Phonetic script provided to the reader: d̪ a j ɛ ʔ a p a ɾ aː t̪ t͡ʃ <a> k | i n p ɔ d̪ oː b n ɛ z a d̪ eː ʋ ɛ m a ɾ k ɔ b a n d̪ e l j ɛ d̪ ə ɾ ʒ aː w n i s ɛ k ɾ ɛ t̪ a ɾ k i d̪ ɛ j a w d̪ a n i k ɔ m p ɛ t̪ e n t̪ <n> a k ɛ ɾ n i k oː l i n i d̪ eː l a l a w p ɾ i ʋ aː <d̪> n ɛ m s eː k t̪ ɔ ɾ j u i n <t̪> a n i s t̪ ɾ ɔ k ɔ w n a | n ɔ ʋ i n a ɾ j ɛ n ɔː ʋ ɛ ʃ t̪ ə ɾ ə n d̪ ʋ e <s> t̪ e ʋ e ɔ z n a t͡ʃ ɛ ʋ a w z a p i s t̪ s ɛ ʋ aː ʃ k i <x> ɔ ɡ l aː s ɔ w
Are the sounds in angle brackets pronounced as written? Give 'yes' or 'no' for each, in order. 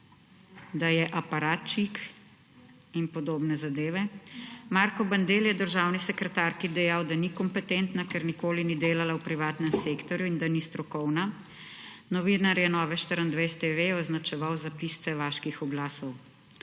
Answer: no, yes, no, no, yes, yes

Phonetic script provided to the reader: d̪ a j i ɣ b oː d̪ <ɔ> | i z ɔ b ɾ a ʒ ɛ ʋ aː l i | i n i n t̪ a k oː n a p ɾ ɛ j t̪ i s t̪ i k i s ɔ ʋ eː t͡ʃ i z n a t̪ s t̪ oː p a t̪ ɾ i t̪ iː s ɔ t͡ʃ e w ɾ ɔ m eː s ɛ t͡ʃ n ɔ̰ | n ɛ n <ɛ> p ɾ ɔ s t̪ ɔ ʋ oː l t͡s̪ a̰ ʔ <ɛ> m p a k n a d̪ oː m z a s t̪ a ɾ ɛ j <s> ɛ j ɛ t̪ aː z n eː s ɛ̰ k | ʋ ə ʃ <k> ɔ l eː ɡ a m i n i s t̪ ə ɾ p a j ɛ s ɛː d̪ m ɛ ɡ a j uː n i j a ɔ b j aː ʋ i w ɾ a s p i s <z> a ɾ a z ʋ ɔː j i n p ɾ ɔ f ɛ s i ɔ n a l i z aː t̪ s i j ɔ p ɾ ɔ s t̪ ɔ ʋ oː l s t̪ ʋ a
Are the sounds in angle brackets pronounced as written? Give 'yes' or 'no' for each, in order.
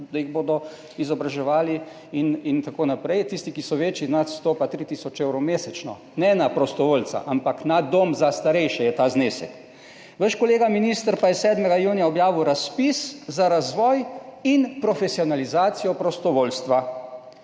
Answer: yes, no, no, no, yes, yes

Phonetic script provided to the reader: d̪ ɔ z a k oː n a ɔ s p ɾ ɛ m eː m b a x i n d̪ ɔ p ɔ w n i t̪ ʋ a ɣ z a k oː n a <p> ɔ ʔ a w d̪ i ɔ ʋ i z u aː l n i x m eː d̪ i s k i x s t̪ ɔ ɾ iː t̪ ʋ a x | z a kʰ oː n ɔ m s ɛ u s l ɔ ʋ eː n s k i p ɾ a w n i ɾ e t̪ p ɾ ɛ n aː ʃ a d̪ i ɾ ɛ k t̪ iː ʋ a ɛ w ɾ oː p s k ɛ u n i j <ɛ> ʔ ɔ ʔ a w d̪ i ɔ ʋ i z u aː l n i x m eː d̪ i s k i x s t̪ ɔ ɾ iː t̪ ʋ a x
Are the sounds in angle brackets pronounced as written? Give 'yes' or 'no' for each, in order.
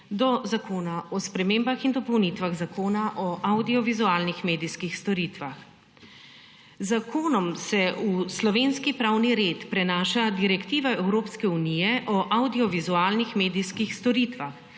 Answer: no, yes

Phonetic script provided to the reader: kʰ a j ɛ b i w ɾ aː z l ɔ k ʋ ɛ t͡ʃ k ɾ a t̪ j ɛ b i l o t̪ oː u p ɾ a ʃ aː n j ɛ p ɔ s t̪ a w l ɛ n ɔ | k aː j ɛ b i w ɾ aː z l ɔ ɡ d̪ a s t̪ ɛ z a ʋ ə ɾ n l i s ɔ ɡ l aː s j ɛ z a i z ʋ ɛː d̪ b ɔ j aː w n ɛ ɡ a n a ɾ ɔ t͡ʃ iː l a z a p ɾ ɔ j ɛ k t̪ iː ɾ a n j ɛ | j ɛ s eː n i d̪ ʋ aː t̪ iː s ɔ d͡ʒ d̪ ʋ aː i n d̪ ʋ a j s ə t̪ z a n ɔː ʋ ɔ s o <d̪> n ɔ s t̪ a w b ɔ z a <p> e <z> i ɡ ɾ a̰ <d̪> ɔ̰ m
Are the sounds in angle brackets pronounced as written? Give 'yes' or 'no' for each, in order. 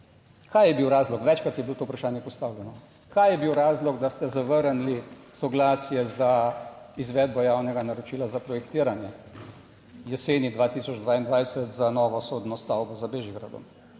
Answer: yes, no, no, yes

